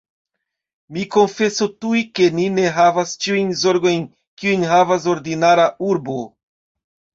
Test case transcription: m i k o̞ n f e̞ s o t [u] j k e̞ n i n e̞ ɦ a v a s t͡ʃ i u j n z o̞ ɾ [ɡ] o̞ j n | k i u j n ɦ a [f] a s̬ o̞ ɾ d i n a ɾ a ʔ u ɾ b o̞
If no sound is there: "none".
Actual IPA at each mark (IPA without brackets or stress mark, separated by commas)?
u, ɡ, v